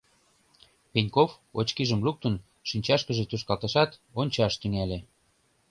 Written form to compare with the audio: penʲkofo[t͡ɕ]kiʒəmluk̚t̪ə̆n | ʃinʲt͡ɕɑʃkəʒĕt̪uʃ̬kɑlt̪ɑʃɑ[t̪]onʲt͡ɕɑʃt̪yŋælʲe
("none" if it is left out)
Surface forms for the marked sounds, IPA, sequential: t͡ɕ, t̪

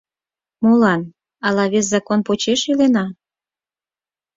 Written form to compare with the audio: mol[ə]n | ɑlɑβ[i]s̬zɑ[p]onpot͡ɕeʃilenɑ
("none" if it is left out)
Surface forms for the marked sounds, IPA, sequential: ɑ, e, k

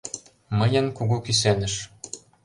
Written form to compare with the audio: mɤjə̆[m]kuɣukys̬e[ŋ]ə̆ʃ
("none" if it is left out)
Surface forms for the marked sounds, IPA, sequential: n, n

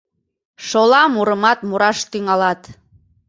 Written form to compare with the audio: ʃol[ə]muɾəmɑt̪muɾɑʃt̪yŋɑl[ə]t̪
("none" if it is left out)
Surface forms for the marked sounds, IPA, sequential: ɑ, ɑ

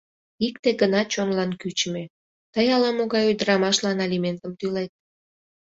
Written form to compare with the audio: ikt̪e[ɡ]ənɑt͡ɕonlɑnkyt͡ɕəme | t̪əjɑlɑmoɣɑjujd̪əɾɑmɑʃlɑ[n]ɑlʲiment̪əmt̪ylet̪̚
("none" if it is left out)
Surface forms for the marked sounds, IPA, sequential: ɡ, n

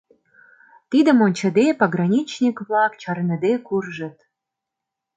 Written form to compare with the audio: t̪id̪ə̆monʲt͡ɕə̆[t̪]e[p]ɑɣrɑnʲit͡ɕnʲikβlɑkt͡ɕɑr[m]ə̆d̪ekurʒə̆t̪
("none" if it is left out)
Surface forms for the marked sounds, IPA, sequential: d̪, p, n

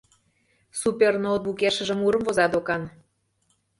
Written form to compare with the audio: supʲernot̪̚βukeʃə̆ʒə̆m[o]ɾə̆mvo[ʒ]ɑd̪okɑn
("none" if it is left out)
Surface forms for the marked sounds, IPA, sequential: u, z

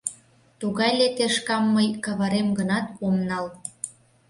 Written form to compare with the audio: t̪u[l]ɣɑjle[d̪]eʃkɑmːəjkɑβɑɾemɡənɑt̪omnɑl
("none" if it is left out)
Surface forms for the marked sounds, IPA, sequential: none, t̪

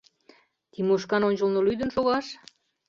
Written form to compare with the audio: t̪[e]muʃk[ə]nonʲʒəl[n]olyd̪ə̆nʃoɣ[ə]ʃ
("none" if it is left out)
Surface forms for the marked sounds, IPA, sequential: i, ɑ, n, ɑ

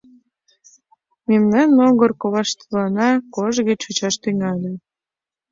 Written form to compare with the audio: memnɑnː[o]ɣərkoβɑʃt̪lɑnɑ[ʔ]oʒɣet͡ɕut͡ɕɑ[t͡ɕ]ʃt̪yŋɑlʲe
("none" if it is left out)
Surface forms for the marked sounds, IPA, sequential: o, k, none

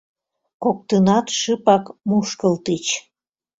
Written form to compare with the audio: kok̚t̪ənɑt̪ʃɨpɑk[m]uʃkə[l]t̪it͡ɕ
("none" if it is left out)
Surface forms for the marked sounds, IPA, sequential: m, l

